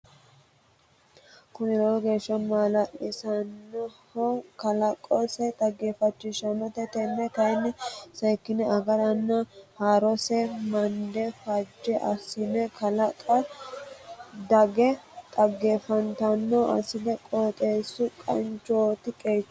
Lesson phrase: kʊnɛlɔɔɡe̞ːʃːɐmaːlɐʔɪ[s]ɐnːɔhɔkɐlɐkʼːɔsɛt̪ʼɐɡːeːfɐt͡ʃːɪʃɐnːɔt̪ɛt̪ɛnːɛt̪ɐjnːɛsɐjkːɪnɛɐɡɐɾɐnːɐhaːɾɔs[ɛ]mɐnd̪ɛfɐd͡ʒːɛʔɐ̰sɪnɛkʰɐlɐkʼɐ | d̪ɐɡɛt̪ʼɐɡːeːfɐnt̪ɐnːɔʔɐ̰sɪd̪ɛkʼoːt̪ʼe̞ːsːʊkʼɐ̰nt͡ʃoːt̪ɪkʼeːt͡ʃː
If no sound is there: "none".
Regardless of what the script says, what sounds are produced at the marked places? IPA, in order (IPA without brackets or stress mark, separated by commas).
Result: s, ɛ